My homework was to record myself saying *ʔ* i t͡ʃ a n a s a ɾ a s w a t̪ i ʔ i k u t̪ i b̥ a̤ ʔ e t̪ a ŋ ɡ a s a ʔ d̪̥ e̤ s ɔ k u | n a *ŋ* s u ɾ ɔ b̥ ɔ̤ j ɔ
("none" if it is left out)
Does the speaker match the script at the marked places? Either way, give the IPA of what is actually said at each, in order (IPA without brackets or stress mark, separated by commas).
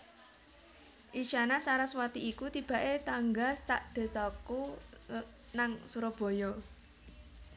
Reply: ʔ, ŋ